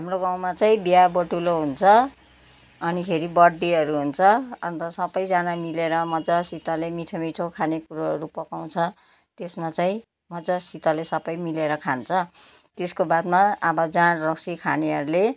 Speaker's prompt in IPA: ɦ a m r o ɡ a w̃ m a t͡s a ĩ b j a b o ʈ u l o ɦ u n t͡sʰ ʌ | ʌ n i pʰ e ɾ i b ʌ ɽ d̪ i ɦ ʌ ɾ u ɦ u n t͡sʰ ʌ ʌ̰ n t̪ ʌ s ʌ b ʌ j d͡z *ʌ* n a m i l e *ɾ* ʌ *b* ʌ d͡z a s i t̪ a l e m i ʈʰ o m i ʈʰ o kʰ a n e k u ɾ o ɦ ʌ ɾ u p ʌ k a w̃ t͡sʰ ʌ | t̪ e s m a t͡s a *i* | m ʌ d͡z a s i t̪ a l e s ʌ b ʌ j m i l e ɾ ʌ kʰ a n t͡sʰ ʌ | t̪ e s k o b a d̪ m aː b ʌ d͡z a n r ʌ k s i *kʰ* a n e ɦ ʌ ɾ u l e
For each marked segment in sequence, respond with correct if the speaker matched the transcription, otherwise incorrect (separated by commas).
incorrect, correct, incorrect, incorrect, correct